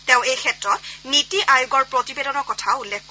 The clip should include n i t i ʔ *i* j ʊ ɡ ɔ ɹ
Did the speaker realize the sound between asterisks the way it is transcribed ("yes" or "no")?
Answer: no